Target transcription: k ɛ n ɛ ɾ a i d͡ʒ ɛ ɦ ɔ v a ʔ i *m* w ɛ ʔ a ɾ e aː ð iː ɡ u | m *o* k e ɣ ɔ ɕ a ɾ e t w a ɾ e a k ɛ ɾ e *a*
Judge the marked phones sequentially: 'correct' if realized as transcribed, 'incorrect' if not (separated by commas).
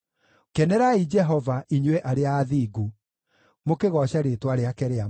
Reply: incorrect, correct, correct